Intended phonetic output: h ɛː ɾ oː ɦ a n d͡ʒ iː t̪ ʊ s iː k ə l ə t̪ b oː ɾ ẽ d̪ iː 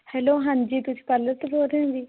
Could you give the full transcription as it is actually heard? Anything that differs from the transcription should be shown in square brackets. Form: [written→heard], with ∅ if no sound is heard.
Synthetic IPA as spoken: h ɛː [ɾ→l] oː ɦ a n d͡ʒ iː t̪ ʊ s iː [k→p] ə l ə t̪ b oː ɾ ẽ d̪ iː